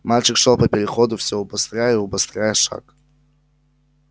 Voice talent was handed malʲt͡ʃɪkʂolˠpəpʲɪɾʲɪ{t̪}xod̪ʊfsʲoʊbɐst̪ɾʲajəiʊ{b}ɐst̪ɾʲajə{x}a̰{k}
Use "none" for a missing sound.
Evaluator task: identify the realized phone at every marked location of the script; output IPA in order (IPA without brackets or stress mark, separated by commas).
none, b, ʂ, k